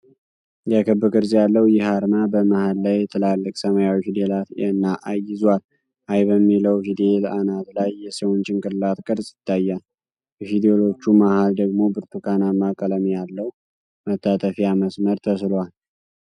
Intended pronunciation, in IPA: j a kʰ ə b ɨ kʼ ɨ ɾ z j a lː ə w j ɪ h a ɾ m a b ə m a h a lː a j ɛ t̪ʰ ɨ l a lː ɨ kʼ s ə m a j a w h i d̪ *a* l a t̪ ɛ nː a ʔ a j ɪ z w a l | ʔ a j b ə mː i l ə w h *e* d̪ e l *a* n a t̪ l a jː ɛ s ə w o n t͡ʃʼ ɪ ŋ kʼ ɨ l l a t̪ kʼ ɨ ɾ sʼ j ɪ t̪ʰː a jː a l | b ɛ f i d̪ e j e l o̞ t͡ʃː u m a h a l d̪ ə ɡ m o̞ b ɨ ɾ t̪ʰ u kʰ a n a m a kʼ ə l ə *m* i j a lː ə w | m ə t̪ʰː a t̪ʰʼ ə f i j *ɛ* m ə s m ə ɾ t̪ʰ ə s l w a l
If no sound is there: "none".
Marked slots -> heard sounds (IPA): e, i, a, m, a

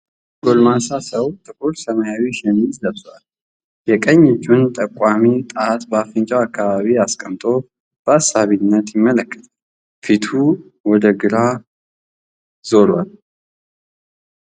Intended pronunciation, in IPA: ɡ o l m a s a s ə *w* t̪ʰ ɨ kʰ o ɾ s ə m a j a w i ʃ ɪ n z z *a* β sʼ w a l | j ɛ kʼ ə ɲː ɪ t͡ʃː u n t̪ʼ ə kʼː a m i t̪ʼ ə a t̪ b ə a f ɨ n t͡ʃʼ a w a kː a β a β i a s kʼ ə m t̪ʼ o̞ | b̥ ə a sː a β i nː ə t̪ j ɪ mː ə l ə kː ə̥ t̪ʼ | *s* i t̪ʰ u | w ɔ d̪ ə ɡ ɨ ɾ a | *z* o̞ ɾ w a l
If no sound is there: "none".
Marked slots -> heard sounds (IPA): w, ə, f, z

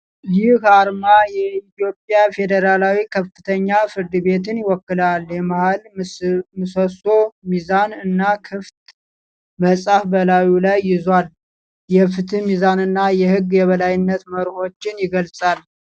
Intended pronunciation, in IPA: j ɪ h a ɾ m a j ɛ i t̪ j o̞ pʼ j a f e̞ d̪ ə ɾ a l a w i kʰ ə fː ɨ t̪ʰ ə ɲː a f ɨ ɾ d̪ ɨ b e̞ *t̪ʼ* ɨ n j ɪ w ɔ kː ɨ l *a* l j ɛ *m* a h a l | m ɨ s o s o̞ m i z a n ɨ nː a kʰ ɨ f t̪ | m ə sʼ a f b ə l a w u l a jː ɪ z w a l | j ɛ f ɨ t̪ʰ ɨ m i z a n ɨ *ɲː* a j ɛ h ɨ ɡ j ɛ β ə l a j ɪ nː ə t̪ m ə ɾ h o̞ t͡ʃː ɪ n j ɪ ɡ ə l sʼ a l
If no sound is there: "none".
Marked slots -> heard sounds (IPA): t̪, a, m, nː

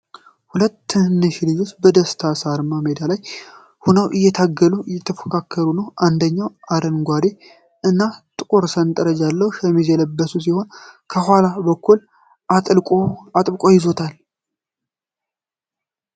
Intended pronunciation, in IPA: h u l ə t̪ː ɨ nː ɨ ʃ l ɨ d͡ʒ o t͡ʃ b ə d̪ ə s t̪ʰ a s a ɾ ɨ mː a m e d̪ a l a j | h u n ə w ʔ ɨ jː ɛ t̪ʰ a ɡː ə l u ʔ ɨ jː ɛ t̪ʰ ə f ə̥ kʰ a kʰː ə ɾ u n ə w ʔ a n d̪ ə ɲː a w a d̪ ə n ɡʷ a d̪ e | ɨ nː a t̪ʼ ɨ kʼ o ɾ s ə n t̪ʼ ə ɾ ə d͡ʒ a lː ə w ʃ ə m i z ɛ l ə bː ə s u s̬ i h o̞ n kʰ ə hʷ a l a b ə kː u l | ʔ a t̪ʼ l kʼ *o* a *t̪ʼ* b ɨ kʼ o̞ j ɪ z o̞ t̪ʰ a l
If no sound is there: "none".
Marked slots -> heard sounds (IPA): o, t̪ʼ

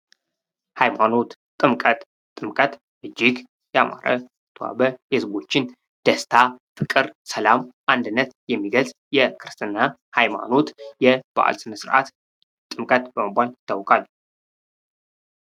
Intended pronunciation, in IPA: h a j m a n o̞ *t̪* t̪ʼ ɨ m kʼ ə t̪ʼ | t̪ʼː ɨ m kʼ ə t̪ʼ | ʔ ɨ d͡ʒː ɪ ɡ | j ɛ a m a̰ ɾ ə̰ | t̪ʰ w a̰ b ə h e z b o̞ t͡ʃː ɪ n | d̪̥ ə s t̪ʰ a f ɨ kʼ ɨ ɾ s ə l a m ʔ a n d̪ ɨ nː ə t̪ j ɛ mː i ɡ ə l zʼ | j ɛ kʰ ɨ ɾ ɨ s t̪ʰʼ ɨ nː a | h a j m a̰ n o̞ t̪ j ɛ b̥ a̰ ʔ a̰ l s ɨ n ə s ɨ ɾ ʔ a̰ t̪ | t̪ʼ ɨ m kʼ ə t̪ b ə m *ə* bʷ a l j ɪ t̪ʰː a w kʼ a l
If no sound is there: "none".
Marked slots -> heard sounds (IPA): t̪, ə

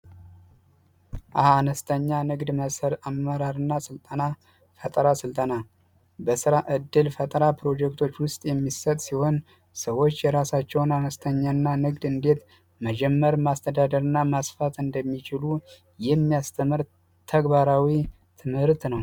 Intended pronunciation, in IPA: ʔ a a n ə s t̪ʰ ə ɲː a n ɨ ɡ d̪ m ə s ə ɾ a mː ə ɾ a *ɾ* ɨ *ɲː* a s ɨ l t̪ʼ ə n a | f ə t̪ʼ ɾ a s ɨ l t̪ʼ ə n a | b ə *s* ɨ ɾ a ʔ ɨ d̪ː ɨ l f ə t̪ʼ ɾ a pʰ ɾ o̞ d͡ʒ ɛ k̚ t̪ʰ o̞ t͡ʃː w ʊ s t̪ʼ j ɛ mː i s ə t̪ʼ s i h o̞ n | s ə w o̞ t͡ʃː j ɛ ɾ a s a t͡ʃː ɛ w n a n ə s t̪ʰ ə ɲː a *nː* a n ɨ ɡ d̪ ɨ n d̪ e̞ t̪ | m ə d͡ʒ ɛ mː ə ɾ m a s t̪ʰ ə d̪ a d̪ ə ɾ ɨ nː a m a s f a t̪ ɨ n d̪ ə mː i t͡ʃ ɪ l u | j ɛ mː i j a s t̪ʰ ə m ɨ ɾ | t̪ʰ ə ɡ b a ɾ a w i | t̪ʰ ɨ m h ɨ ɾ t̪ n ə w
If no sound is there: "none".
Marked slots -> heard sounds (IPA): ɾ, nː, s, nː

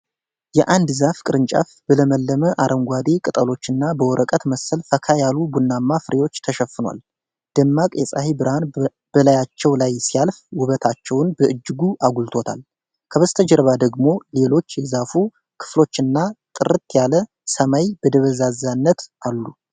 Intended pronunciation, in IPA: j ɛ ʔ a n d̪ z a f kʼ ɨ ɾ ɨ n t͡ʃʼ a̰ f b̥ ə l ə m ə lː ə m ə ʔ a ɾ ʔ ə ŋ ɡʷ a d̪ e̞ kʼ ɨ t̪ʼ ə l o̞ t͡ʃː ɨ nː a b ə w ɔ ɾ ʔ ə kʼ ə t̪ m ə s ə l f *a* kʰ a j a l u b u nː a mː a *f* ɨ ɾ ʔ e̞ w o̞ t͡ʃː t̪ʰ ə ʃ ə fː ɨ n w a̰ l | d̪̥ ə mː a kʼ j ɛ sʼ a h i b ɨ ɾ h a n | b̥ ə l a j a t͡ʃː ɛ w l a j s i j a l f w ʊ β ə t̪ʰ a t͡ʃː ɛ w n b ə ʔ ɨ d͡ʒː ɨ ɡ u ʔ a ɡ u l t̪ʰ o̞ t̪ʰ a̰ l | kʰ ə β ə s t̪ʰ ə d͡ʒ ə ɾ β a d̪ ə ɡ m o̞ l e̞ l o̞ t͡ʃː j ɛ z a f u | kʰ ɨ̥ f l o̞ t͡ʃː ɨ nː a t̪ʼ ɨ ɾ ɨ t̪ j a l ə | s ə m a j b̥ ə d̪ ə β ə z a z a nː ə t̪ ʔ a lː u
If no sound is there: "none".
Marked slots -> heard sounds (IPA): ə, f

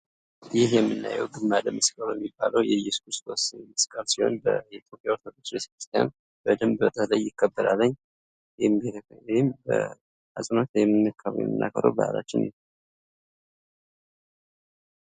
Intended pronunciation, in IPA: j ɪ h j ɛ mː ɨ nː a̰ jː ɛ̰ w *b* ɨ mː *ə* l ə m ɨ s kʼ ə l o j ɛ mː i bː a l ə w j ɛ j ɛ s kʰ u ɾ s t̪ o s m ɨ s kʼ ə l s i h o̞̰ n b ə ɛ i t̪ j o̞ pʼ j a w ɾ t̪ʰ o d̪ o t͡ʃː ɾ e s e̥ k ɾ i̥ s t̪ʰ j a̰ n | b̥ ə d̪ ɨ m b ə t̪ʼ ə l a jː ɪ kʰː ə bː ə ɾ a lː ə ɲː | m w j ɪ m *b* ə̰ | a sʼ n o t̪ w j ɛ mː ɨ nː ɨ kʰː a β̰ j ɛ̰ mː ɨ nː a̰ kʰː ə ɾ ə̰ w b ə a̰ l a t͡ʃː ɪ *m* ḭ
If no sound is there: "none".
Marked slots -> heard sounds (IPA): ɡ, a, b, n

